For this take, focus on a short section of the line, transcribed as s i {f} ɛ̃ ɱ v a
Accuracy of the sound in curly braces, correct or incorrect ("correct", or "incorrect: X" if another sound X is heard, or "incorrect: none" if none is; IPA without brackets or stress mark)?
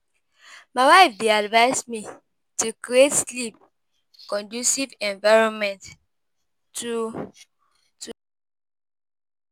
incorrect: v